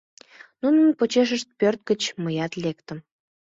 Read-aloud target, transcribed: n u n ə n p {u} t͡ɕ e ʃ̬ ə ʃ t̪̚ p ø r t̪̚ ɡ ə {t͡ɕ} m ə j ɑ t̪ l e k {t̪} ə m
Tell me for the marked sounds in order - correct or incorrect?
incorrect: o, correct, correct

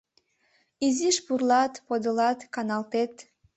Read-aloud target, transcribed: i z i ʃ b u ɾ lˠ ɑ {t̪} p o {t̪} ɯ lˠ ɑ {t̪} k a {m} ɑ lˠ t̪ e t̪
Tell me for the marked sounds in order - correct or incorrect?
correct, incorrect: d̪, correct, incorrect: n

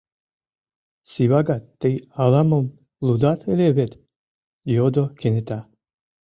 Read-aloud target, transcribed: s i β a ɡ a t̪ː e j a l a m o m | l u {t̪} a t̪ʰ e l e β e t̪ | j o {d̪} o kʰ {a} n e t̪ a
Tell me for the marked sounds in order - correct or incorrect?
incorrect: d̪, correct, incorrect: e

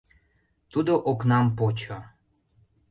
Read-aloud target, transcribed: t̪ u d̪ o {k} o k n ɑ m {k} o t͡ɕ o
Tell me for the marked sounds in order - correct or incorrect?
incorrect: ʔ, incorrect: p

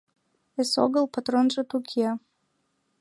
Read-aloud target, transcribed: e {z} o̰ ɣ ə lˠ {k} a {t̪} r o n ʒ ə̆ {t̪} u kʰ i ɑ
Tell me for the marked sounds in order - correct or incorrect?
incorrect: s, incorrect: p, correct, correct

